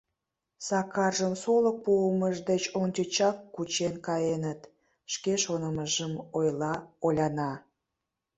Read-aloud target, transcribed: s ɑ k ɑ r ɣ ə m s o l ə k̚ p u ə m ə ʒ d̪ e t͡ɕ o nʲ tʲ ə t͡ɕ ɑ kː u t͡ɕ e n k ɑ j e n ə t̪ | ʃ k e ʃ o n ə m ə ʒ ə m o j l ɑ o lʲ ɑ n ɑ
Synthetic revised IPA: s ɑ k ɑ r ʒ ə m s o l ə k̚ p u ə m ə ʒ d̪ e t͡ɕ o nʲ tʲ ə t͡ɕ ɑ kː u t͡ɕ e n k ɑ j e n ə t̪ | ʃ k e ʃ o n ə m ə ʒ ə m o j l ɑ o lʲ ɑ n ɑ